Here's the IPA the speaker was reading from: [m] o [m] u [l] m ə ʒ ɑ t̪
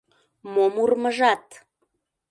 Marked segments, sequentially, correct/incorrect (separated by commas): correct, correct, incorrect